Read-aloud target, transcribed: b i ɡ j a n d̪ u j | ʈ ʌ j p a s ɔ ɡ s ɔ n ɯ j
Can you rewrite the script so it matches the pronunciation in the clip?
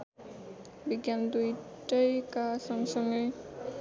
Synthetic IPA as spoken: b i ɡ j a n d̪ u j | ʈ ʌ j k a s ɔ ŋ s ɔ ŋ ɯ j